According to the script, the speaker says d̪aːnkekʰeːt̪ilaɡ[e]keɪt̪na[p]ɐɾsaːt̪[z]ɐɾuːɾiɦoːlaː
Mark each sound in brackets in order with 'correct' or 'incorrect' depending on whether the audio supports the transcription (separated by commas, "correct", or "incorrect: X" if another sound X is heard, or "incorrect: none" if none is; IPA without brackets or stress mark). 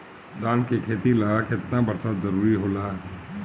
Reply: incorrect: a, incorrect: b, correct